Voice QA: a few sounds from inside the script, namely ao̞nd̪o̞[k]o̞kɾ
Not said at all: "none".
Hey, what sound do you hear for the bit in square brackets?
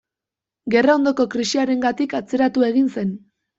k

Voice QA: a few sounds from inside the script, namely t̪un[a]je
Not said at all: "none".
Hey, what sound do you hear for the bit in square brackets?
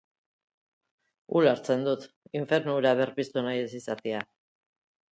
a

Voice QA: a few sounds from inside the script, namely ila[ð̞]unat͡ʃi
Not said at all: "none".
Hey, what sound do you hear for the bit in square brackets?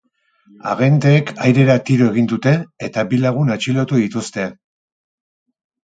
ɣ̞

